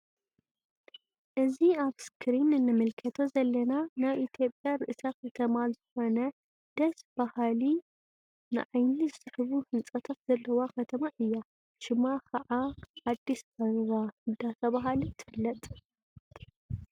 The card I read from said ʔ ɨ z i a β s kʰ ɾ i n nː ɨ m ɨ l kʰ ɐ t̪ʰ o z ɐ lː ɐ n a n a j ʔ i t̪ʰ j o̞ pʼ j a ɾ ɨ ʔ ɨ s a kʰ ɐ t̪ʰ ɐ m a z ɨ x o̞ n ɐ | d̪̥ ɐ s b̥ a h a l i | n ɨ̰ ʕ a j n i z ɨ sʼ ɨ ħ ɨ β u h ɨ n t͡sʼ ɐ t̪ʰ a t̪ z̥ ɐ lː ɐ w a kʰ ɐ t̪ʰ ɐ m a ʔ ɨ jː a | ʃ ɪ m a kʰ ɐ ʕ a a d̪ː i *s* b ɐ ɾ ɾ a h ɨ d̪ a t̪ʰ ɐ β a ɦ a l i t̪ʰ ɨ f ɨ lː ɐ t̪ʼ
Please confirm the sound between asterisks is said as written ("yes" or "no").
yes